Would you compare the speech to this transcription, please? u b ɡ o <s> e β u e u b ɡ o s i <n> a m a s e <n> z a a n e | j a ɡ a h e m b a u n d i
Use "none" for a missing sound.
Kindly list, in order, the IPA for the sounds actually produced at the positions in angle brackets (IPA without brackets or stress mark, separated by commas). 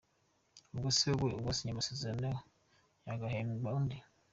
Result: s, ɲ, none